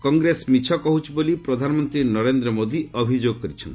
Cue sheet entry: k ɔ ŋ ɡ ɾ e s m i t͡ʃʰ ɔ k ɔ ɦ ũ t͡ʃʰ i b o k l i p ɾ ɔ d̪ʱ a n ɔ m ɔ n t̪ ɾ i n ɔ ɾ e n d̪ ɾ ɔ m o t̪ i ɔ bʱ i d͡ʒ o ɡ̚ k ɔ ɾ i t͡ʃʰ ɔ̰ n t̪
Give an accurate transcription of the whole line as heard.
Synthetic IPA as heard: k ɔ ŋ ɡ ɾ e s m i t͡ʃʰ ɔ k ɔ ɦ u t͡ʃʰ i b o l i p ɾ ɔ d̪ʱ a n ɔ m ɔ n t̪ ɾ i n ɔ ɾ e n d̪ ɾ ɔ m o d̪ i ɔ bʱ i d͡ʒ o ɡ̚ k ɔ ɾ i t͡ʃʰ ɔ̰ n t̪